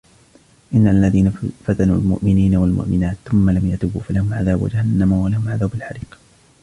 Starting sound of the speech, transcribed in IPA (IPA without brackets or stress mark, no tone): ʔ